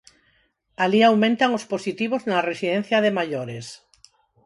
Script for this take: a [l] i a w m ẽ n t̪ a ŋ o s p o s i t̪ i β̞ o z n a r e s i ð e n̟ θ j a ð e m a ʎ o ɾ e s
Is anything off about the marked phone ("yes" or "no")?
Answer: no